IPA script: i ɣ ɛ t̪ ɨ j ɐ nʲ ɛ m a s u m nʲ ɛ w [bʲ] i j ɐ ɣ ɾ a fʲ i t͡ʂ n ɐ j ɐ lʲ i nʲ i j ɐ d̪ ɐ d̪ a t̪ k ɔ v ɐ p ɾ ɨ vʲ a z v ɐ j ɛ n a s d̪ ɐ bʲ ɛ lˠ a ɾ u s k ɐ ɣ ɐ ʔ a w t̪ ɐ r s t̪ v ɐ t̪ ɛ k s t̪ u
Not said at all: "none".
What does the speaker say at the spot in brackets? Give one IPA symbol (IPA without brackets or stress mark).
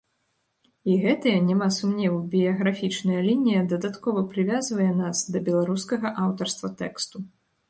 bʲ